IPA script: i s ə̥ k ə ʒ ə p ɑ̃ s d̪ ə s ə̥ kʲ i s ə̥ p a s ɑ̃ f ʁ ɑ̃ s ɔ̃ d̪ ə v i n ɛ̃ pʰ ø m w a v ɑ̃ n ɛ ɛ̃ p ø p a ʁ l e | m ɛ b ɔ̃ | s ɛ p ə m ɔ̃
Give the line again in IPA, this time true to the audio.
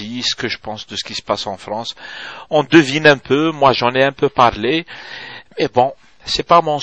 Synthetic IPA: i s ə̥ k ə ʒ ə p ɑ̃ s d̪ ə s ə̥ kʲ i s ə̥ p a s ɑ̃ f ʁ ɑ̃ s ɔ̃ d̪ ə v i n ɛ̃ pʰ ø m w a ʒ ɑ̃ n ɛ ɛ̃ p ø p a ʁ l e | m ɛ b ɔ̃ | s ɛ p a m ɔ̃

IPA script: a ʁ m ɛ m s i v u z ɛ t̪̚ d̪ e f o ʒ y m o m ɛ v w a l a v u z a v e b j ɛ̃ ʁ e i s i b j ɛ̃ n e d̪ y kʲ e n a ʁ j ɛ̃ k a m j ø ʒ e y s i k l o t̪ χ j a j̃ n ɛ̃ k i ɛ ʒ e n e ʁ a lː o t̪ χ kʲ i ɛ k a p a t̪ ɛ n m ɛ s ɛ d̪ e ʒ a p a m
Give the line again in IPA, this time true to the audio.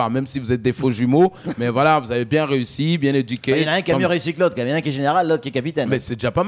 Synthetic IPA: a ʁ m ɛ m s i v u z ɛ t̪̚ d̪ e f o ʒ y m o m ɛ v w a l a v u z a v e b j ɛ̃ ʁ e y s i b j ɛ̃ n e d̪ y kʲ e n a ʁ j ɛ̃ k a m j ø ʁ e y s i k l o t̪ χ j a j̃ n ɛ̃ k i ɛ ʒ e n e ʁ a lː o t̪ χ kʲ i ɛ k a p i t̪ ɛ n m ɛ s ɛ d̪ e ʒ a p a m

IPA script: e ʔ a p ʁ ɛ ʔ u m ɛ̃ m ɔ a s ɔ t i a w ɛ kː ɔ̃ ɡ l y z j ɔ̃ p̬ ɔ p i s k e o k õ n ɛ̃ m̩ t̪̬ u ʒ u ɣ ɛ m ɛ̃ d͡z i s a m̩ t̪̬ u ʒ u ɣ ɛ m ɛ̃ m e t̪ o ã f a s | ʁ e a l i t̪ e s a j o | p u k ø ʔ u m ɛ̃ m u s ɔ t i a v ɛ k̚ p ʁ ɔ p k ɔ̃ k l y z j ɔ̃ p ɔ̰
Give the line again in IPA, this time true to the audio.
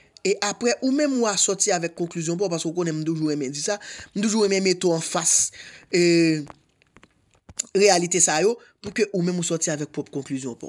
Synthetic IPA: e ʔ a p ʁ ɛ ʔ u m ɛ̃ m u a s ɔ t i a v ɛ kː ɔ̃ k l y z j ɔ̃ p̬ ɔ p a s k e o k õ n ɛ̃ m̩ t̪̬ u ʒ u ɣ ɛ m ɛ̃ d͡z i s a m̩ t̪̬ u ʒ u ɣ ɛ m ɛ̃ m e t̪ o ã f a s | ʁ e a l i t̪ e s a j o | p u k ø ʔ u m ɛ̃ m u s ɔ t i a v ɛ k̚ p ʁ ɔ p k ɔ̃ k l y z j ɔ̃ p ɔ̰

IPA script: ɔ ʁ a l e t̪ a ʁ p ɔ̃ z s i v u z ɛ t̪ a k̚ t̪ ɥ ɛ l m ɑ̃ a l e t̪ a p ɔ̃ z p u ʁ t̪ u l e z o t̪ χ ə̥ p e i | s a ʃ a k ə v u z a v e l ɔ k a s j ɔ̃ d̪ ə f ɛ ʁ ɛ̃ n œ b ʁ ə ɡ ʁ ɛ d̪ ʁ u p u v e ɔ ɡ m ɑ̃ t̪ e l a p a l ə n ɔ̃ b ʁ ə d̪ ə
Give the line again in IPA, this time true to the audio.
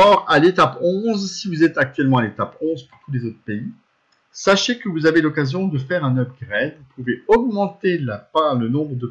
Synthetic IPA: ɔ ʁ a l e t̪ a p ɔ̃ z s i v u z ɛ t̪ a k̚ t̪ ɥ ɛ l m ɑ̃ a l e t̪ a p ɔ̃ z p u ʁ t̪ u l e z o t̪ χ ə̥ p e i | s a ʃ e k ə v u z a v e l ɔ k a z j ɔ̃ d̪ ə f ɛ ʁ ɛ̃ n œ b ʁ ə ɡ ʁ ɛ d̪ v u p u v e ɔ ɡ m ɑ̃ t̪ e l a p a l ə n ɔ̃ b ʁ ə d̪ ə

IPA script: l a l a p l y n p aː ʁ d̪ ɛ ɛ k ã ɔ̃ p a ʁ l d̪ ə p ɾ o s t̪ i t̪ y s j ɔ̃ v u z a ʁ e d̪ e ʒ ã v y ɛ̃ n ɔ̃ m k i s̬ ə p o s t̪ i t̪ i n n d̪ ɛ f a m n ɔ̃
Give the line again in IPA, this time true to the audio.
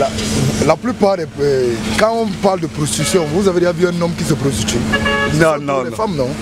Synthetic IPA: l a l a p l y p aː ʁ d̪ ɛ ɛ k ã ɔ̃ p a ʁ l d̪ ə p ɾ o s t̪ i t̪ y s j ɔ̃ v u z a v e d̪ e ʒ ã v y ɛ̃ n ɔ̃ m k i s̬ ə p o s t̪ i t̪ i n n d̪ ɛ f a m n ɔ̃

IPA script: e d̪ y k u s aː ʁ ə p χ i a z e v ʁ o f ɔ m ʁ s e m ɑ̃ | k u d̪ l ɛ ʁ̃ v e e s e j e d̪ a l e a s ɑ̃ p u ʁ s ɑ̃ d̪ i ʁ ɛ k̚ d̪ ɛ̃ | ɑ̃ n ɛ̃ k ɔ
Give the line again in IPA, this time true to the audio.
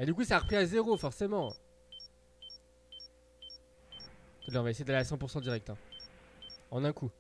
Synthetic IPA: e d̪ y k u s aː ʁ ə p χ i a z e ʁ o f ɔ ʁ s e m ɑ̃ | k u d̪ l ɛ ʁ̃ v a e s e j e d̪ a l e a s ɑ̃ p u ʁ s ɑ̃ d̪ i ʁ ɛ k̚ t̪ ɛ̃ | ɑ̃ n ɛ̃ k u

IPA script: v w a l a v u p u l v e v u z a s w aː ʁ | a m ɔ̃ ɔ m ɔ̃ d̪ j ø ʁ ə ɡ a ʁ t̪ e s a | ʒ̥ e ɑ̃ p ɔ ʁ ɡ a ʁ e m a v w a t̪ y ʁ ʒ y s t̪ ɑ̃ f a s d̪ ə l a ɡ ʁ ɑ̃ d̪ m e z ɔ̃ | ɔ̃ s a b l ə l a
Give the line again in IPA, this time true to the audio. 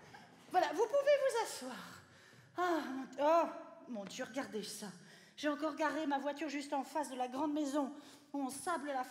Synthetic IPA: v w a l a v u p u v e v u z a s w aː ʁ | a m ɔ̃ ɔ m ɔ̃ d̪ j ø ʁ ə ɡ a ʁ d̪ e s a | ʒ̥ e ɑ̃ k ɔ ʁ ɡ a ʁ e m a v w a t̪ y ʁ ʒ y s t̪ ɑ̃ f a s d̪ ə l a ɡ ʁ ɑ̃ d̪ m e z ɔ̃ | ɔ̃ s a b l ə l a

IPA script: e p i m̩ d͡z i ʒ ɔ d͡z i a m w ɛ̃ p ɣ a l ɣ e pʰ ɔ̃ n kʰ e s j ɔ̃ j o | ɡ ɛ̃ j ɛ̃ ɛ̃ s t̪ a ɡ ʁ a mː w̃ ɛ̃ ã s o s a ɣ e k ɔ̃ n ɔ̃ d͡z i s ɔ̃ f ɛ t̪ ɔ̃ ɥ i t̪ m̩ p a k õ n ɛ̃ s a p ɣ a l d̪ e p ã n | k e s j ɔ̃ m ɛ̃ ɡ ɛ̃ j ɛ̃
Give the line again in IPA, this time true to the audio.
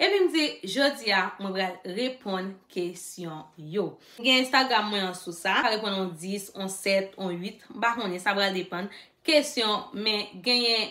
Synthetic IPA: e p i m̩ d͡z i ʒ o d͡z i a m w ɛ̃ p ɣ a l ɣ e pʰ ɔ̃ n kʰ e s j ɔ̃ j o | ɡ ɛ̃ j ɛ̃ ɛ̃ s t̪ a ɡ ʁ a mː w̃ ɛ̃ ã s u s a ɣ e p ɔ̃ n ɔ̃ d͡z i s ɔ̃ s ɛ t̪ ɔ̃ ɥ i t̪ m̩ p a k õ n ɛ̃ s a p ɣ a l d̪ e p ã n | k e s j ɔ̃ m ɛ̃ ɡ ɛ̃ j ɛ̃

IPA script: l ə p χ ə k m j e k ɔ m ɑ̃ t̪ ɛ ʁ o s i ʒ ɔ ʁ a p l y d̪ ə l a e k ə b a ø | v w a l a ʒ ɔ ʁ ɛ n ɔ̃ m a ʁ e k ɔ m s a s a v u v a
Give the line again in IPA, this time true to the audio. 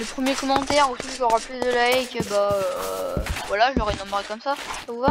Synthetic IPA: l ə p χ ə m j e k ɔ m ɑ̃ t̪ ɛ ʁ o s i ʒ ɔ ʁ a p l y d̪ ə l a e k ə b a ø | v w a l a ʒ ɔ ʁ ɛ n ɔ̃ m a ʁ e k ɔ m s a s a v u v a

